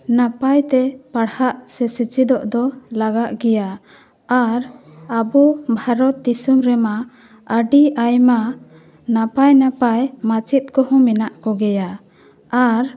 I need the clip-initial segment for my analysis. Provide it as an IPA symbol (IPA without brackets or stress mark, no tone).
n